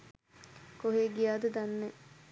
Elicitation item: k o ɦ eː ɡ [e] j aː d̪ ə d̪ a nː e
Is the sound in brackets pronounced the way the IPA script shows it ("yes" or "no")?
no